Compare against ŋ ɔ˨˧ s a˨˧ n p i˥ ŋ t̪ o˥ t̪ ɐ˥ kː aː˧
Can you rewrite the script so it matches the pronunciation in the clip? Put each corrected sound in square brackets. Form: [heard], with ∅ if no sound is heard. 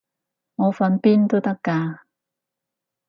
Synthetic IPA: ŋ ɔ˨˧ [f] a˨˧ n p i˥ [n] t̪ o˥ t̪ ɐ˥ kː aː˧